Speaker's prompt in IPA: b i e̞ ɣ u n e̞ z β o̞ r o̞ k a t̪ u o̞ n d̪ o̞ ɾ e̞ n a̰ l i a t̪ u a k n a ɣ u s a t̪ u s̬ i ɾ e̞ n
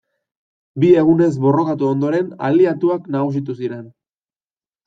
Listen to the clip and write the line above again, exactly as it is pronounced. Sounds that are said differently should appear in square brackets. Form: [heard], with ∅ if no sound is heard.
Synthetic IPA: b i e̞ ɣ u n e̞ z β o̞ r o̞ k a t̪ u o̞ n d̪ o̞ ɾ e̞ n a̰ l i a t̪ u a k n a ɣ u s [i] t̪ u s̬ i ɾ e̞ n